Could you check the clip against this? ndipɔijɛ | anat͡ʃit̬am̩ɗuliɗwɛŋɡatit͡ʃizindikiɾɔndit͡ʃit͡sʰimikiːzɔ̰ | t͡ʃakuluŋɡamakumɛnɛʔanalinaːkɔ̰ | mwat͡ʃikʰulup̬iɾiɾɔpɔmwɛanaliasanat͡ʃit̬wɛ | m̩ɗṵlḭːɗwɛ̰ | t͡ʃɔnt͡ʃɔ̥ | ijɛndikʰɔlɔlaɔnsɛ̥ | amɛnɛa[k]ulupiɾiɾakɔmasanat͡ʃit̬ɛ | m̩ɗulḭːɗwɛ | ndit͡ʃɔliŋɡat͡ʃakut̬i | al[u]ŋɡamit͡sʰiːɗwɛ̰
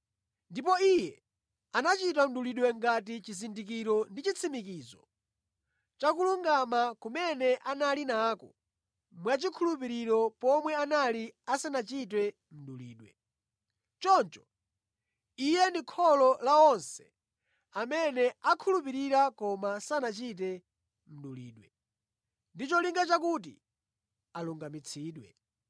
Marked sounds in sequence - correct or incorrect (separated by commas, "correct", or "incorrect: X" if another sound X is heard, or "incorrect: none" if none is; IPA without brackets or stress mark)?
incorrect: kʰ, correct